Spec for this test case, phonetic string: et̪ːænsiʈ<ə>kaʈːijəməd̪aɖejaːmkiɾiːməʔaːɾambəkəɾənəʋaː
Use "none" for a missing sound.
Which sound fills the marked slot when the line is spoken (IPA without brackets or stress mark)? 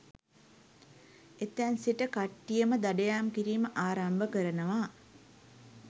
ə